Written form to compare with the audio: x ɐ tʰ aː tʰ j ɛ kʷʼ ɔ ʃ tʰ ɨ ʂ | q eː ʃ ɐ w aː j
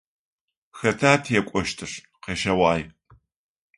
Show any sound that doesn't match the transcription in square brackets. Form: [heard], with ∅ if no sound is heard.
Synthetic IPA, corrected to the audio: x ɐ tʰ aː tʰ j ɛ kʷʼ ɔ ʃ tʰ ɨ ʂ | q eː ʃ ɐ w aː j